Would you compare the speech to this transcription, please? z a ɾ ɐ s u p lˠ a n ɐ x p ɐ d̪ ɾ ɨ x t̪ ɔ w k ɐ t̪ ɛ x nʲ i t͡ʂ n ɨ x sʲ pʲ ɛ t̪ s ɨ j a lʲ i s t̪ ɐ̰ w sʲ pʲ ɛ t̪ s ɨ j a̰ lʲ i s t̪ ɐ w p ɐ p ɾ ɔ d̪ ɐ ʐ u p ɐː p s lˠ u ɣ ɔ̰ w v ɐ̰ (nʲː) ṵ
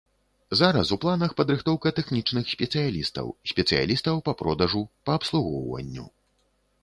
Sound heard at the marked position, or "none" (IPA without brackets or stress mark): nʲː